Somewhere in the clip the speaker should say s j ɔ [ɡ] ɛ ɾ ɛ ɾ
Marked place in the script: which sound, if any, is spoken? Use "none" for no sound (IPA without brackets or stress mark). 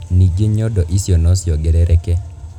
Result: ɡ